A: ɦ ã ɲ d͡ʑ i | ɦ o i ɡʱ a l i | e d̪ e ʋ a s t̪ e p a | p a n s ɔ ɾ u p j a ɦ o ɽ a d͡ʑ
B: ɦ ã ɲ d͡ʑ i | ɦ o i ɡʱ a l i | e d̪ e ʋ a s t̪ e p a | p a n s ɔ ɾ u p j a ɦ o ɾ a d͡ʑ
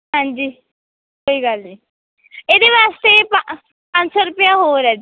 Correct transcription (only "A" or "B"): B